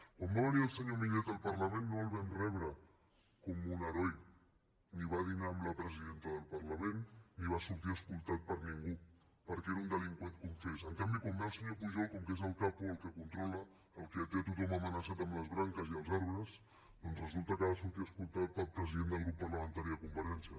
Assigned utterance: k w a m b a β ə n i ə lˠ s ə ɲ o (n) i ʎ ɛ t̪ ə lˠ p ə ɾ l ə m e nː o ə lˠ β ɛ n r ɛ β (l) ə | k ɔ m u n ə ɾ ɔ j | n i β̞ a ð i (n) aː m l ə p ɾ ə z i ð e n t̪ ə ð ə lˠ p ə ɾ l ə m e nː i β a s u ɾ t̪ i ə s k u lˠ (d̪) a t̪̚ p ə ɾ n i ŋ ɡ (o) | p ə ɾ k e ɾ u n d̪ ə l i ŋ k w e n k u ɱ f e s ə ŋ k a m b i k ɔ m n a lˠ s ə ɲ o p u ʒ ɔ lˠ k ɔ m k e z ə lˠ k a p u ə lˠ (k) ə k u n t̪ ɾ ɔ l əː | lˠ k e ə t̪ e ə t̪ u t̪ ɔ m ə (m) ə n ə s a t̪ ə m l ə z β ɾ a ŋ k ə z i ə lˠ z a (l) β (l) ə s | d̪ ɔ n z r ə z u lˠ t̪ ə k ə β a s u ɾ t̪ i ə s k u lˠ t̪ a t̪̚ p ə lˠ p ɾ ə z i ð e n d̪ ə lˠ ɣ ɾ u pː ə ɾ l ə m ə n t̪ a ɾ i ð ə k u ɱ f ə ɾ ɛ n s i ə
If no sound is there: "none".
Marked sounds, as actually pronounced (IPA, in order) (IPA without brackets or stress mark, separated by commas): m, ɾ, n, t̪, u, k, m, ɾ, ɾ